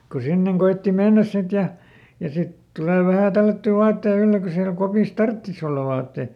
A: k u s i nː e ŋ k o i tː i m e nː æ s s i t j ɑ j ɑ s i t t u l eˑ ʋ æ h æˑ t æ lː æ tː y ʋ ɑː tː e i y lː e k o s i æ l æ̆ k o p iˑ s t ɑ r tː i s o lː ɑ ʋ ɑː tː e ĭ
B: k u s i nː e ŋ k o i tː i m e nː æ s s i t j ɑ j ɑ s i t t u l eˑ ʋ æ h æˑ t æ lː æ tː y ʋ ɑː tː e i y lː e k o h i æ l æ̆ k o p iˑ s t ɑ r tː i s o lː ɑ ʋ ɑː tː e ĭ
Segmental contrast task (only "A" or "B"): A